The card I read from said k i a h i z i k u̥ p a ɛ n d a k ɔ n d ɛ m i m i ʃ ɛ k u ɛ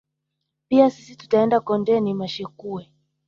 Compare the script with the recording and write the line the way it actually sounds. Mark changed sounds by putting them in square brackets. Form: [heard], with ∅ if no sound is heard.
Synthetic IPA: [p] i a [s] i [s] i [t] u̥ [t] a ɛ n d a k ɔ n d ɛ [n] i m [a] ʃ ɛ k u ɛ